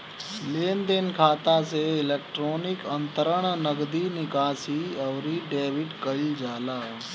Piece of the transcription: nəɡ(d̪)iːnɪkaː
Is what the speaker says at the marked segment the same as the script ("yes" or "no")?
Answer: yes